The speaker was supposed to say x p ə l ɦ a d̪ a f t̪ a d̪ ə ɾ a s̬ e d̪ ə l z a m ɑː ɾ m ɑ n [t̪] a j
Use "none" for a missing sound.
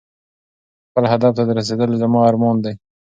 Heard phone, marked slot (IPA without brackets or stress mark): d̪